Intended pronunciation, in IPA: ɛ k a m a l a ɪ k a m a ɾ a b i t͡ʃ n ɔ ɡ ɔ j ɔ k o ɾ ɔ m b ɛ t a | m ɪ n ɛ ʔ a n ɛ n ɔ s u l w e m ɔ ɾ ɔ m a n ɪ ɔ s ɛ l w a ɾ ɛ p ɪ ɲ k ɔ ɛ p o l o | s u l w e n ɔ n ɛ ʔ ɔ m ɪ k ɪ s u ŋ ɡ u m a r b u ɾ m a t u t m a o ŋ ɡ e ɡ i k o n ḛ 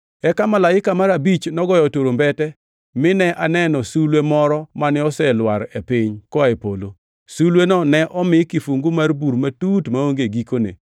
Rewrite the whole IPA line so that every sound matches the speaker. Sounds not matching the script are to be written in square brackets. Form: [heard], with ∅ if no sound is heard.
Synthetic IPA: ɛ k a m a l a ɪ k a m a ɾ a b i t͡ʃ n ɔ ɡ ɔ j ɔ [t] o ɾ [o] m b ɛ t [ɛ] | m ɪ n ɛ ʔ a n ɛ n ɔ s u l w e m ɔ ɾ ɔ m a n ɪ ɔ s ɛ l w a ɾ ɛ p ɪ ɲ k ɔ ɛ p o l o | s u l w e n ɔ n ɛ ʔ ɔ m ɪ k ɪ [f] u ŋ ɡ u m a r b u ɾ m a t u t m a o ŋ ɡ e ɡ i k o n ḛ